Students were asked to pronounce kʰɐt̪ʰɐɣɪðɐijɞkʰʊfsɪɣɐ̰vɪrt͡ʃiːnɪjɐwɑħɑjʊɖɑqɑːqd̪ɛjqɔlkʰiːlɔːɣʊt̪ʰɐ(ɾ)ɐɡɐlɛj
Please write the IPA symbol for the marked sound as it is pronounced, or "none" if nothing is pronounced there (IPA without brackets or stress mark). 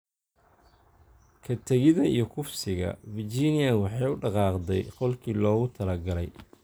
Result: l